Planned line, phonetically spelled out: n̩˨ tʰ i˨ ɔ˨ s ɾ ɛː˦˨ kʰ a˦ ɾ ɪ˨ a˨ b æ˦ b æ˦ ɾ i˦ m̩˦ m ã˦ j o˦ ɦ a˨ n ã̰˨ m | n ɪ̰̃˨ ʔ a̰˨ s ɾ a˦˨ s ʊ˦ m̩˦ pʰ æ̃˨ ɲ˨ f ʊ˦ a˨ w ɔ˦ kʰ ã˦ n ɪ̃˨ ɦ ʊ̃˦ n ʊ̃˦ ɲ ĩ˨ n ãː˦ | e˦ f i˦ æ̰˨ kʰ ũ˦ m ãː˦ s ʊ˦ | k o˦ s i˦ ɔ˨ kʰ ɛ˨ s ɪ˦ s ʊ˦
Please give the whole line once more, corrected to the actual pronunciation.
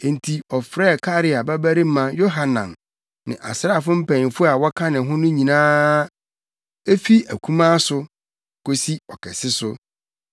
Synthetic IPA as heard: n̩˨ tʰ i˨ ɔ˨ f ɾ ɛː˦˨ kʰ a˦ ɾ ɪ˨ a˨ b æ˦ b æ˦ ɾ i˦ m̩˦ m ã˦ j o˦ ɦ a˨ n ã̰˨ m | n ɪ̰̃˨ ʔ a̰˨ s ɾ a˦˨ f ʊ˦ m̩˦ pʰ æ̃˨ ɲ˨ f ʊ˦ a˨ w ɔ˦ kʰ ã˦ n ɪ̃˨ ɦ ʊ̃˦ n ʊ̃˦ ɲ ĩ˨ n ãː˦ | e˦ f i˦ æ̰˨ kʰ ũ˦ m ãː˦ s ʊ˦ | k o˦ s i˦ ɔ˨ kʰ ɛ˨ s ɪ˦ s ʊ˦